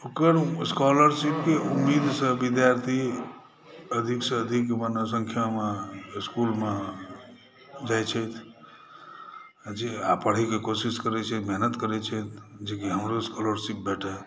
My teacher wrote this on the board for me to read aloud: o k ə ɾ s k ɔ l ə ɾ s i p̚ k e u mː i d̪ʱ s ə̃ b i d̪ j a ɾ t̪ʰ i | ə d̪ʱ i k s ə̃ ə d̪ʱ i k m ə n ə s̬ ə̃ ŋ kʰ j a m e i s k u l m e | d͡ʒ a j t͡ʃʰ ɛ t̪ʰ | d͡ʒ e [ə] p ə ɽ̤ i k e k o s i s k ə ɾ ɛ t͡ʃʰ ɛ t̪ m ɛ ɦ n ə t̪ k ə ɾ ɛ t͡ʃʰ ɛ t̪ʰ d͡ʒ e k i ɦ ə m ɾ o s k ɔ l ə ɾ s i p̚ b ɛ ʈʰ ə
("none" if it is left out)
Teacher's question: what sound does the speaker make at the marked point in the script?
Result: a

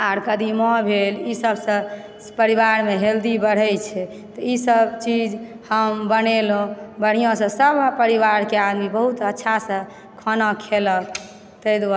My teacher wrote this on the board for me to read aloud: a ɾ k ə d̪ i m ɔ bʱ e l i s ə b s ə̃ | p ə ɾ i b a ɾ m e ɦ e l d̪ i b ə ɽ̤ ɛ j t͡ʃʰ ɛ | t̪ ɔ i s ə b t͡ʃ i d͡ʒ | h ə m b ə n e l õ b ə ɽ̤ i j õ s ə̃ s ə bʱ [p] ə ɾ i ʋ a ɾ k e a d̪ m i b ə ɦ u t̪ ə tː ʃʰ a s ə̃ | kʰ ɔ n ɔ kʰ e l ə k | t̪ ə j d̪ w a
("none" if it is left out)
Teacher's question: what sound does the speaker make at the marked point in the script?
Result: p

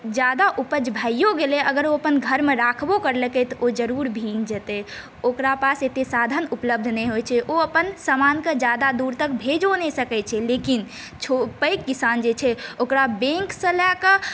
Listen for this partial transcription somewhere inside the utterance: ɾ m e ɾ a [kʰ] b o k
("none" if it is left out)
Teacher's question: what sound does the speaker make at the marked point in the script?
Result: kʰ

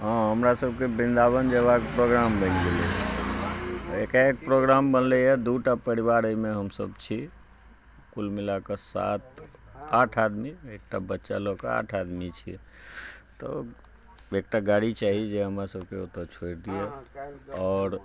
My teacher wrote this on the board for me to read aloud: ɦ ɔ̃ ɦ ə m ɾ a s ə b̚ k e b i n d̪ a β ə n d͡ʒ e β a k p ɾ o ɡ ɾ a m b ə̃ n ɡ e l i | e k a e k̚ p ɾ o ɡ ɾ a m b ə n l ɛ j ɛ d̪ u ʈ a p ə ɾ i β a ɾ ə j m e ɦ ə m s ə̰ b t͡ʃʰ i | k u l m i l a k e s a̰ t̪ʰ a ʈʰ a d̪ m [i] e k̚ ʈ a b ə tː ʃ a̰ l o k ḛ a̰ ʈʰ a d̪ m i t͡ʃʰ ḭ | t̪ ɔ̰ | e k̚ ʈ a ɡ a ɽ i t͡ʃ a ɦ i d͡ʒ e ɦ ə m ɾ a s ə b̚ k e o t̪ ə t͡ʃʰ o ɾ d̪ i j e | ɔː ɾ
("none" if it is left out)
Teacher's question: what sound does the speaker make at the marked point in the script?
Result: i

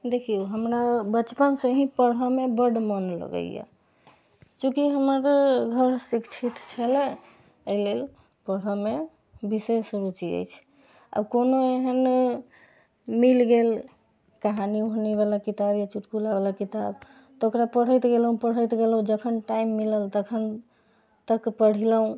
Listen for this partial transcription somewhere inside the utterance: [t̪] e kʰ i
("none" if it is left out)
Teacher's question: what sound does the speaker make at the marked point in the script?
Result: d̪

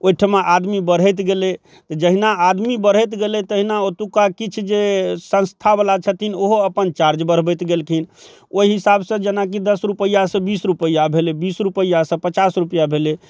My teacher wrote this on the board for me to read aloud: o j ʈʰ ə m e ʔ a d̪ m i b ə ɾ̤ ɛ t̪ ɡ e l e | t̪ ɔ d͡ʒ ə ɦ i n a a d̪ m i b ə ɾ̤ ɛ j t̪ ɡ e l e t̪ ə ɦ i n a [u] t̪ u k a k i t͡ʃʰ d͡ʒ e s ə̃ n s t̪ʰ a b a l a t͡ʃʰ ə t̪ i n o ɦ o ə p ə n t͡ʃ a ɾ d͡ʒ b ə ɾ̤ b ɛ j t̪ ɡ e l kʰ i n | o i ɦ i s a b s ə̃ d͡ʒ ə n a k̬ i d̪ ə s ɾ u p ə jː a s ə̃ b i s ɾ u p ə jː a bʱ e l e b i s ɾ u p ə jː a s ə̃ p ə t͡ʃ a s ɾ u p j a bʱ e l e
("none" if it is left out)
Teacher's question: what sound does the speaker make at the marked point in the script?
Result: o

